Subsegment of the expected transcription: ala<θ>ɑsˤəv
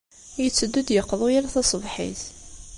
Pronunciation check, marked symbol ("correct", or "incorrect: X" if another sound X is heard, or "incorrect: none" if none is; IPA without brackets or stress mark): correct